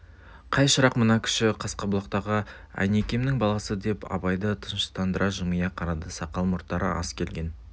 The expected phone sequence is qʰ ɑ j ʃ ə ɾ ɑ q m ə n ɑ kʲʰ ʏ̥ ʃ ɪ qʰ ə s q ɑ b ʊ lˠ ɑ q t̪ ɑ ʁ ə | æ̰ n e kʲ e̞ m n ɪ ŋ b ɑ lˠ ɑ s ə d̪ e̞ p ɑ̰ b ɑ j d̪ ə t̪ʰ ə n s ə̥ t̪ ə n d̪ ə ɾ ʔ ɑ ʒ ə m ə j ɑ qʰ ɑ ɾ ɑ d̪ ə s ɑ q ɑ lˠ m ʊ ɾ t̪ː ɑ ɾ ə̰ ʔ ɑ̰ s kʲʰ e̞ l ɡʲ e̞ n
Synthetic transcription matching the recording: qʰ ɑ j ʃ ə ɾ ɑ q m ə n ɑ kʲʰ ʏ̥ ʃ ɪ qʰ ɑ s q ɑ b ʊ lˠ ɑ q t̪ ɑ ʁ ə | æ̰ n e kʲ e̞ m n ɪ ŋ b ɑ lˠ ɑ s ə d̪ e̞ p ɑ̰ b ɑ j d̪ ə t̪ʰ ə n ʃ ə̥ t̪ ɑ n d̪ ə ɾ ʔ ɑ ʒ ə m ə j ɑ qʰ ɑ ɾ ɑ d̪ ə s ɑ q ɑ lˠ m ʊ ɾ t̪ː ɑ ɾ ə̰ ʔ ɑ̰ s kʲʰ e̞ l ɡʲ e̞ n